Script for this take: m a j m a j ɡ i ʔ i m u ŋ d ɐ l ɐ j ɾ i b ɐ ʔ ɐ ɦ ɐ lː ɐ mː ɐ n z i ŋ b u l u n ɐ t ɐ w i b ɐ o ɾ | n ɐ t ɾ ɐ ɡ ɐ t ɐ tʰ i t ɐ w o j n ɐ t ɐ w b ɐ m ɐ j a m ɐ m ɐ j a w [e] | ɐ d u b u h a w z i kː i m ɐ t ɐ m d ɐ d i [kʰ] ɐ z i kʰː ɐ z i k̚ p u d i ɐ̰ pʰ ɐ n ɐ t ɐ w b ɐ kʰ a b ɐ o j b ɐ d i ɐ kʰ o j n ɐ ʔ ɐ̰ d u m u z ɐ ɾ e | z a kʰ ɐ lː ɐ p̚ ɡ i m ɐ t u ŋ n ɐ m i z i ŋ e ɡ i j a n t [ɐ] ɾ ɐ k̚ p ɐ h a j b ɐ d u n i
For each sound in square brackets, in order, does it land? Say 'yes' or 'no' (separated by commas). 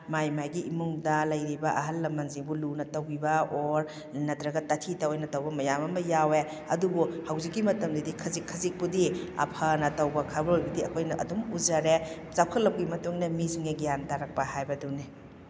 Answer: yes, yes, no